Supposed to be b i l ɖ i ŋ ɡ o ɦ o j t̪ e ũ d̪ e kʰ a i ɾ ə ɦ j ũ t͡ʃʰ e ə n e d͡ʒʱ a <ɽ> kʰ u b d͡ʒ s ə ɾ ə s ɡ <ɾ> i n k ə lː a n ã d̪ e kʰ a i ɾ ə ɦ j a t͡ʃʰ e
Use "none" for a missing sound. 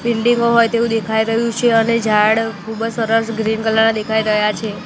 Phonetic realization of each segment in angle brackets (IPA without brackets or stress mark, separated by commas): ɽ, ɾ